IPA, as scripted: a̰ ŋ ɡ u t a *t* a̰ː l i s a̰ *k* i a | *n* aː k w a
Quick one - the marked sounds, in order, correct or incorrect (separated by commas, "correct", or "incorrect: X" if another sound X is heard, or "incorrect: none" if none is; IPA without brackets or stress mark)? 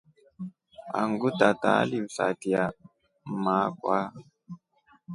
correct, incorrect: t, incorrect: m